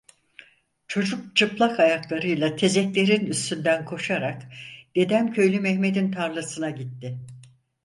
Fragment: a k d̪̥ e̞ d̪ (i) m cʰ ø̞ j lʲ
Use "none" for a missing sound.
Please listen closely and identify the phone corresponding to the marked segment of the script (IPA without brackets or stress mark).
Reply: æ